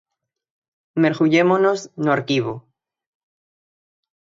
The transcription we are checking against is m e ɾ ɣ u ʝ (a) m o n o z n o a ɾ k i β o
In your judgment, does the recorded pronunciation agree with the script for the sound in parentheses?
no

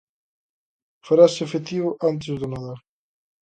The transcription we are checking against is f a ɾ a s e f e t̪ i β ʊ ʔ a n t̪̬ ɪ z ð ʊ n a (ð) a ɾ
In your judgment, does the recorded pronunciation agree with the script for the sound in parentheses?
yes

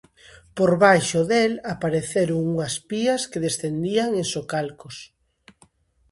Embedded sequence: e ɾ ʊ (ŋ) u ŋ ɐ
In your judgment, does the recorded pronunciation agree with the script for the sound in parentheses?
yes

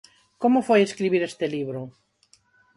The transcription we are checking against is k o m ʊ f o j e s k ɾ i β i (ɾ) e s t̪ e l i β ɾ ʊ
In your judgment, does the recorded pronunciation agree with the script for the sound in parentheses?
yes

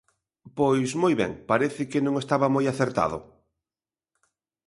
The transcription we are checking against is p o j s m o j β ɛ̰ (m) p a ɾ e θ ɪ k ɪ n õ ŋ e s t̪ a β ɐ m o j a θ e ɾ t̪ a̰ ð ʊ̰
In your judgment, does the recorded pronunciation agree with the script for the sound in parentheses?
no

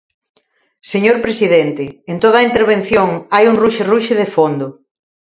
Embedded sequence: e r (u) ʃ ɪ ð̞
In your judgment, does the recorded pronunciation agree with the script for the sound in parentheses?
yes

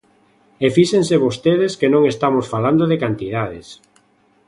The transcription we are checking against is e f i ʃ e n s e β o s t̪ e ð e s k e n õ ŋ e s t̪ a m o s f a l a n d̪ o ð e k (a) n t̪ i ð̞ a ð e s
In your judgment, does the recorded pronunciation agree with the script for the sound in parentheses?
yes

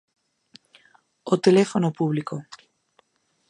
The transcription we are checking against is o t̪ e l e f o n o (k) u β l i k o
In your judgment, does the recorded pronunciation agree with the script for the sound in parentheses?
no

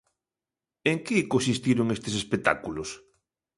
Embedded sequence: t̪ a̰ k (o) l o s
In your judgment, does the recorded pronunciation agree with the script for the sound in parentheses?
no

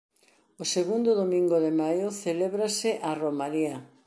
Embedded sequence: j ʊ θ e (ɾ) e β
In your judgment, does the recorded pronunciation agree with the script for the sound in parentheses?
no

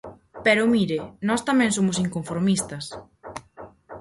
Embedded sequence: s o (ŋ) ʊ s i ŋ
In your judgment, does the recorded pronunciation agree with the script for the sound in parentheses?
no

